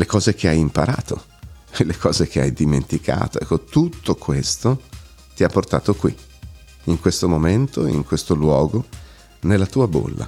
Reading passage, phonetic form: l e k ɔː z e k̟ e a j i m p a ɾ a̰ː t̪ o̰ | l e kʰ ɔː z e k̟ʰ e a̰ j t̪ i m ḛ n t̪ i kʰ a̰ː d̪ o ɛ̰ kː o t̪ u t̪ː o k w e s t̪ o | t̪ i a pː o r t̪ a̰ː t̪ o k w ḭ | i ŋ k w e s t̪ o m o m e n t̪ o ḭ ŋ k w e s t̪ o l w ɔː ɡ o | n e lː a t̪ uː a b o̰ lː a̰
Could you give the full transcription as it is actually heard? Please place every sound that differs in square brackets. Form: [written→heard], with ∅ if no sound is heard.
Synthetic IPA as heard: l e k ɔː z e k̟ e a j i m p a ɾ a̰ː t̪ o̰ | l e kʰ ɔː z e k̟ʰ e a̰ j [t̪→d̪] i m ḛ n t̪ i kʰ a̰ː [d̪→t̪] o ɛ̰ kː o t̪ u t̪ː o k w e s t̪ o | t̪ i a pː o r t̪ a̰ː t̪ o k w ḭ | i ŋ k w e s t̪ o m o m e n t̪ o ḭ ŋ k w e s t̪ o l w ɔː ɡ o | n e lː a t̪ uː a b o̰ lː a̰